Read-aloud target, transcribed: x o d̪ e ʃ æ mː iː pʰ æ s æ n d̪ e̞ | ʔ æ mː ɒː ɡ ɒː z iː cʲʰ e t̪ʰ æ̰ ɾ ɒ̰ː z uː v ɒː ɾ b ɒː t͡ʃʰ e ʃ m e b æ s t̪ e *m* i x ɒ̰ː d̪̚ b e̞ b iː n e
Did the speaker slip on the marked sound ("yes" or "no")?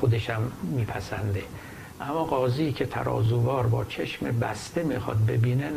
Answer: no